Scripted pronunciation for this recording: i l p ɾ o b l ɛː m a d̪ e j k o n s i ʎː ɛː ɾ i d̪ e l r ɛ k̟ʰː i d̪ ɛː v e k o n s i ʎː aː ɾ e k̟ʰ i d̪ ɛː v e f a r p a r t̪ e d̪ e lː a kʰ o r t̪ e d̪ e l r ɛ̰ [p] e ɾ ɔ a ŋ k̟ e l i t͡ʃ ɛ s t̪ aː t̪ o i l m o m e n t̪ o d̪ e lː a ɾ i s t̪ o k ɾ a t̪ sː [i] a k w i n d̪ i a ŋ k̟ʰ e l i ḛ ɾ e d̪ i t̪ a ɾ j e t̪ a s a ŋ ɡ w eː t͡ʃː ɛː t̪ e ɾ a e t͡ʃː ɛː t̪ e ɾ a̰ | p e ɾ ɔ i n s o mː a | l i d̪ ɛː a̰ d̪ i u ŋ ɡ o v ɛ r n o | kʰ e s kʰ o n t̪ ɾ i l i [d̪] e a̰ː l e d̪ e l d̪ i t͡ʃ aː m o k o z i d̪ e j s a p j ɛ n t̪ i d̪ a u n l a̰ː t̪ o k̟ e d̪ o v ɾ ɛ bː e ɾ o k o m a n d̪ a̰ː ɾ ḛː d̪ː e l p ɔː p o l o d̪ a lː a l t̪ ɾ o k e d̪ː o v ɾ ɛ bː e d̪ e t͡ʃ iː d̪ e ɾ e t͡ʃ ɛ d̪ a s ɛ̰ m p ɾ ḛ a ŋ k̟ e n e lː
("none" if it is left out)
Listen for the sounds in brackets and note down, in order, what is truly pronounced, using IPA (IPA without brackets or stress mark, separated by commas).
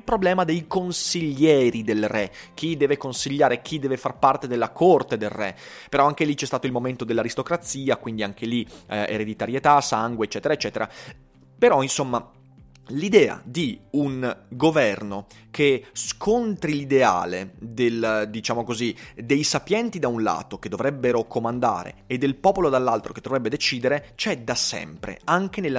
p, iː, d̪